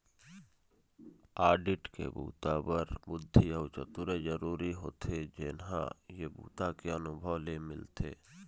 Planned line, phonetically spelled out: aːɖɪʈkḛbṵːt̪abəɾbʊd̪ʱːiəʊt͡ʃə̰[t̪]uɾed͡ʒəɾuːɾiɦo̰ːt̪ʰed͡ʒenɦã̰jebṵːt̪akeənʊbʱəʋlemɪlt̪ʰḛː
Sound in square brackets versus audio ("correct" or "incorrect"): correct